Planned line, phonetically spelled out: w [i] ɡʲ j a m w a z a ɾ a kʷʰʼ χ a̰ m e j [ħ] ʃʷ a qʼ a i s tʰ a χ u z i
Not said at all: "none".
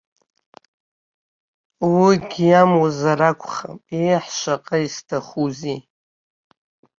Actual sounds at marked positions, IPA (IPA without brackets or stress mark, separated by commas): i, ħ